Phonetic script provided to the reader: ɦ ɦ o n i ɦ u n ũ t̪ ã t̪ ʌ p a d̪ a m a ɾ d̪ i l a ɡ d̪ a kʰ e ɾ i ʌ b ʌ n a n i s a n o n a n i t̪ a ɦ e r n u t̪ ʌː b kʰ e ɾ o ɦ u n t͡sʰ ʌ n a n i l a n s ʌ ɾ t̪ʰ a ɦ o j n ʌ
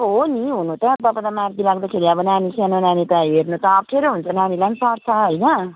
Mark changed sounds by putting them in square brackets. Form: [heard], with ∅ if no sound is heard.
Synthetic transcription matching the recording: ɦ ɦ o n i ɦ u n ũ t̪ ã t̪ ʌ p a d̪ a m a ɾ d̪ i l a ɡ d̪ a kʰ e ɾ i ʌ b ʌ n a n i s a n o n a n i t̪ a ɦ e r n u t̪ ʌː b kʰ e ɾ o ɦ u n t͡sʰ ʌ n a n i l a n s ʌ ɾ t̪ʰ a ɦ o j n ʌ